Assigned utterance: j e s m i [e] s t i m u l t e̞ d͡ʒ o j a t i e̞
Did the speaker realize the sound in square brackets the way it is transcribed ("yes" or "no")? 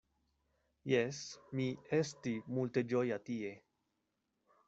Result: yes